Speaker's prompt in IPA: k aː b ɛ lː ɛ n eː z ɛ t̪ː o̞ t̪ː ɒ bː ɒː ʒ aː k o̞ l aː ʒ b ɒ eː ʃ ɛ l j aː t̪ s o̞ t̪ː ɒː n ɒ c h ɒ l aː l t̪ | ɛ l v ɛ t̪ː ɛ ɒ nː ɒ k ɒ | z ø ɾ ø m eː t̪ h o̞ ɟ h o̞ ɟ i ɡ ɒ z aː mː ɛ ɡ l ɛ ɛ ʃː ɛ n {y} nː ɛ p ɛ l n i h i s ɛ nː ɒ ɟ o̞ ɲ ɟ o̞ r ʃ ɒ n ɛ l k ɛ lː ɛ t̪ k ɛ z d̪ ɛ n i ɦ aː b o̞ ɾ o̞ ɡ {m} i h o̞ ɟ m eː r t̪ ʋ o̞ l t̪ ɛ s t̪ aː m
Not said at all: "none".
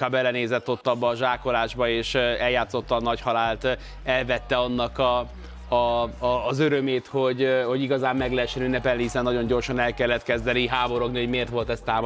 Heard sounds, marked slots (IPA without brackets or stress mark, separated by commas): y, n